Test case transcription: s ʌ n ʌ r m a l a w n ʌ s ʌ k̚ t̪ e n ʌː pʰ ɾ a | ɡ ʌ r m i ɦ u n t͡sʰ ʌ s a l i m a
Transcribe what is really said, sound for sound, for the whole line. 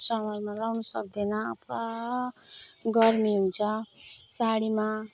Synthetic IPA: s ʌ m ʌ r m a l a w n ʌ s ʌ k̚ d̪ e n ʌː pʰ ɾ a | ɡ ʌ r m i ɦ u n t͡sʰ ʌ s a ɽ i m a